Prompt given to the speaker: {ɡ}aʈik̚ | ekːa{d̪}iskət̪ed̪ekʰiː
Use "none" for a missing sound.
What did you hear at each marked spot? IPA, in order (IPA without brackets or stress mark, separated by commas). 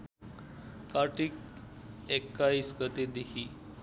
k, none